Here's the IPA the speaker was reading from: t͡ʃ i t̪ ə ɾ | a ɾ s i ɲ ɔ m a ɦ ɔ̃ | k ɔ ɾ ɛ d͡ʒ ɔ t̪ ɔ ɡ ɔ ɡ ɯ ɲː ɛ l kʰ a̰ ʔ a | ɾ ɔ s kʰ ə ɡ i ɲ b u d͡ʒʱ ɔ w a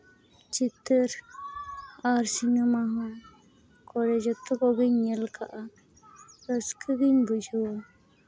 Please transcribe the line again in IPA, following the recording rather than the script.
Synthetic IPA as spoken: t͡ʃ i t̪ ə ɾ | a ɾ s i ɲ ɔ m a ɦ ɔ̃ | k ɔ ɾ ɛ d͡ʒ ɔ t̪ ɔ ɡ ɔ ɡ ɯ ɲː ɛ l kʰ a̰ ʔ a | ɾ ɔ s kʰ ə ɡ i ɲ b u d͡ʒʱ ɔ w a